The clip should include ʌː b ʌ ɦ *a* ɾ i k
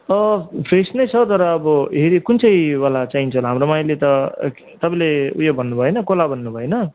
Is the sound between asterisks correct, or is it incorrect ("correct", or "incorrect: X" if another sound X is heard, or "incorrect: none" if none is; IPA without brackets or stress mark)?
incorrect: e